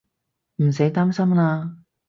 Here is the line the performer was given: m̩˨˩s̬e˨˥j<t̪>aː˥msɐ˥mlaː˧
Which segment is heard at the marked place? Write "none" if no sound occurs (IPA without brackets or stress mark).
t̪